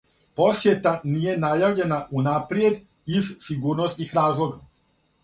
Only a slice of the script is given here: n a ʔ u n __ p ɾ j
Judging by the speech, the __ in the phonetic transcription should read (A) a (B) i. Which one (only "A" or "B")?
A